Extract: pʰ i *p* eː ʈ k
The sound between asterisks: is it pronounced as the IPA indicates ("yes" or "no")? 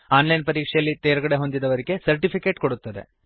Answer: no